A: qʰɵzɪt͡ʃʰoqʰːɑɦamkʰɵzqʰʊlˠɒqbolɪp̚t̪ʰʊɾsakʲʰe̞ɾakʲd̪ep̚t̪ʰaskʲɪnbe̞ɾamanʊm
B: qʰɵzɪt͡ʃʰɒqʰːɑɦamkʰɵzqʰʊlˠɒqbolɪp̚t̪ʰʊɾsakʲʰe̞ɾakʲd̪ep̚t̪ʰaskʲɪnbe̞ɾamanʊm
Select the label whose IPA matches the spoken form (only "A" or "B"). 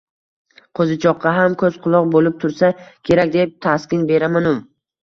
B